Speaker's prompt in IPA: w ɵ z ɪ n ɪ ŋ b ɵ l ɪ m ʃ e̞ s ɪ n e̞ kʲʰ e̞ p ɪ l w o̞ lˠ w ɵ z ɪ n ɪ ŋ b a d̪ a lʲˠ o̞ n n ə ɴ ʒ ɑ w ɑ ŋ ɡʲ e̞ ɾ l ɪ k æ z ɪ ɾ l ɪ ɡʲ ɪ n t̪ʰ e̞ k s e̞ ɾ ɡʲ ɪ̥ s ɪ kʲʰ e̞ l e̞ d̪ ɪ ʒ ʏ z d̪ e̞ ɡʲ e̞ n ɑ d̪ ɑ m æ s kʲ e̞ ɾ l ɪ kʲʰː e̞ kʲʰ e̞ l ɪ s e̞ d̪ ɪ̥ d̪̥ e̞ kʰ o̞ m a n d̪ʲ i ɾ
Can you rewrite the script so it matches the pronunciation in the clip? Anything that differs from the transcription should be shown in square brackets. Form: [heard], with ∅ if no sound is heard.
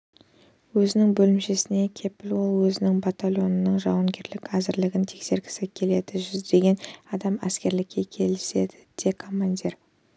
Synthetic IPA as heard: w ɵ z ɪ n ɪ ŋ b ɵ l ɪ m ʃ e̞ s ɪ n e̞ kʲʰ e̞ p ɪ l w o̞ lˠ w ɵ z ɪ n ɪ ŋ b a [t̪] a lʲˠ o̞ n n ə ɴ ʒ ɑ w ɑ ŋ ɡʲ e̞ ɾ l ɪ k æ z ɪ ɾ l ɪ ɡʲ ɪ n t̪ʰ e̞ k s e̞ ɾ ɡʲ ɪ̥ s ɪ kʲʰ e̞ l e̞ d̪ ɪ ʒ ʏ z d̪ e̞ ɡʲ e̞ n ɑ d̪ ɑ m æ s kʲ e̞ ɾ l ɪ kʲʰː e̞ kʲʰ e̞ l ɪ s e̞ d̪ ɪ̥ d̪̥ e̞ kʰ o̞ m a n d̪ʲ i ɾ